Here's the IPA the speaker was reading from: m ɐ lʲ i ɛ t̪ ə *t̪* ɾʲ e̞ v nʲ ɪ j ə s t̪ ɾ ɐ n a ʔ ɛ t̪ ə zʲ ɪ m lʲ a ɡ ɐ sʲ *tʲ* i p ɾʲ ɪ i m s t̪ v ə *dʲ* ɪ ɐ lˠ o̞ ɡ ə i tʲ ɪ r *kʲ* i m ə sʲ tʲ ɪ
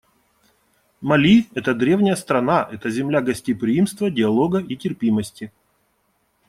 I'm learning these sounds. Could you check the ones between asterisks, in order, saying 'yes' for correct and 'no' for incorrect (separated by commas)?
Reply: no, yes, yes, no